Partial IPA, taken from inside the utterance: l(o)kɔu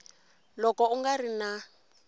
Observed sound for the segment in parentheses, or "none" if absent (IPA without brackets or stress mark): ɔ